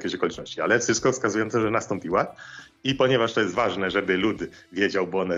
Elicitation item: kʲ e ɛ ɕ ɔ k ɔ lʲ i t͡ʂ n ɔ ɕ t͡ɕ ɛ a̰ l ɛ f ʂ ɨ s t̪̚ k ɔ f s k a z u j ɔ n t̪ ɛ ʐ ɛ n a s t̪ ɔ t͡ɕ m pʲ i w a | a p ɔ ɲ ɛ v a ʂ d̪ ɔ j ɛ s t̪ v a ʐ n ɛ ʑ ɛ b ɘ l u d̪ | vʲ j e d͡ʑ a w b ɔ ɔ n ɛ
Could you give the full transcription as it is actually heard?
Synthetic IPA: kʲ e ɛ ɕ ɔ k ɔ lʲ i t͡ʂ n ɔ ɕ t͡ɕ i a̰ l ɛ f ʂ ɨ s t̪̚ k ɔ f s k a z u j ɔ n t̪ ɛ ʐ ɛ n a s t̪ ɔ m pʲ i w a | i p ɔ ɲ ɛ v a ʂ t̪ ɔ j ɛ s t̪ v a ʐ n ɛ ʐ ɛ b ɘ l u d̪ | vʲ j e d͡ʑ a w b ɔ ɔ n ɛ